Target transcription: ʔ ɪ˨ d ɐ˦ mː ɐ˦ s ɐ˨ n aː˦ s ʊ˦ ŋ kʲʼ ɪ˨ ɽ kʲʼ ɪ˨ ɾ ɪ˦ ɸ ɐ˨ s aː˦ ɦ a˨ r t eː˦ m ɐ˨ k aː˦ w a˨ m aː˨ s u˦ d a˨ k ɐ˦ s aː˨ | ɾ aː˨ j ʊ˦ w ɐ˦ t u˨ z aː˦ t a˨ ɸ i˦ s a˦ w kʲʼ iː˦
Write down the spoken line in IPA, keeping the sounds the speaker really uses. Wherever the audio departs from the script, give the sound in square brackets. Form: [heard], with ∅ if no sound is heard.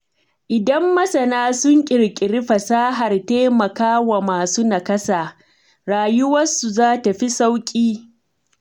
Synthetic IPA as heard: ʔ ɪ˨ d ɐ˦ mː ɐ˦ s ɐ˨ n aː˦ s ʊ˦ ŋ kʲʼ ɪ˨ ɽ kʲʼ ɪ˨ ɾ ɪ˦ ɸ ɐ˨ s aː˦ ɦ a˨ r t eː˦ m ɐ˨ k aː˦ w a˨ m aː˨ s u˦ [n] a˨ k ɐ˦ s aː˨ | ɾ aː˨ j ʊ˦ w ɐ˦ [s] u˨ z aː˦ t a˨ ɸ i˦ s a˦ w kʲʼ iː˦